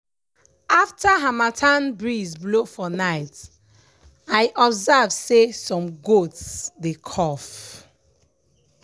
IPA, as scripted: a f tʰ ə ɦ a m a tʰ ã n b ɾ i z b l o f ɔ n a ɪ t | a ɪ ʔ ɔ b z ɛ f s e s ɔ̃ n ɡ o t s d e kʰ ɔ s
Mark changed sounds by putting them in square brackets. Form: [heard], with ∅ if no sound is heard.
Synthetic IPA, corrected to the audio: a f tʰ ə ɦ a m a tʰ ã n b [ɹ] i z b l o f ɔ n a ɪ t | a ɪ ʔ ɔ b z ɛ [v] s e s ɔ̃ [m] ɡ o t s d e kʰ ɔ [f]